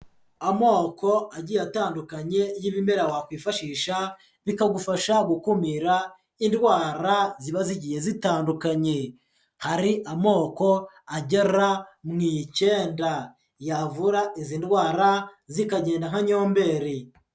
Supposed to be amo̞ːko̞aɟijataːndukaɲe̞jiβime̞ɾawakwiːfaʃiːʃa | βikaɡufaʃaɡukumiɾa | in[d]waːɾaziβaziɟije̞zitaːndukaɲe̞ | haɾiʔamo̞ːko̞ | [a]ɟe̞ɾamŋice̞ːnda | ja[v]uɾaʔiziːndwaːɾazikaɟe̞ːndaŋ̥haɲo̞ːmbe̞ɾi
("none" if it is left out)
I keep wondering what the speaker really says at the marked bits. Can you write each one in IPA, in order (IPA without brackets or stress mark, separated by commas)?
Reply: d, a, v